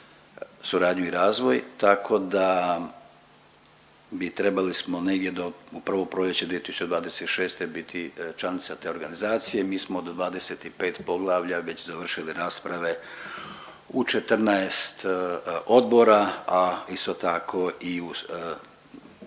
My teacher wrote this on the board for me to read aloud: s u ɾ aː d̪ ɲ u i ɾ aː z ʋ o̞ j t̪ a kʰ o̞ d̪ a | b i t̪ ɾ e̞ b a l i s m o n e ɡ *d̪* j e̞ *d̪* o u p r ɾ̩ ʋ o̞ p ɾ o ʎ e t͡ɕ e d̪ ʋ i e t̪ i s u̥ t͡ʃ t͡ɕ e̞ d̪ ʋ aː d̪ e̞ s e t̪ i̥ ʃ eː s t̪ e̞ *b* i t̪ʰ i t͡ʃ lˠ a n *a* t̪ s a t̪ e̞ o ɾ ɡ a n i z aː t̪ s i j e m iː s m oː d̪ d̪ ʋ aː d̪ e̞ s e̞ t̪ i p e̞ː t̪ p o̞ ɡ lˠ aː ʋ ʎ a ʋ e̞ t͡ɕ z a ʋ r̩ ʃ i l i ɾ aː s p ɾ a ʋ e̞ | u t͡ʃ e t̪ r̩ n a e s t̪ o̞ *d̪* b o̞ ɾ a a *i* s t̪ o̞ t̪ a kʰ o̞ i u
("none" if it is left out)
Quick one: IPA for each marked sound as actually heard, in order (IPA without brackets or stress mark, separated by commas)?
d̪, d̪, b, i, d̪, i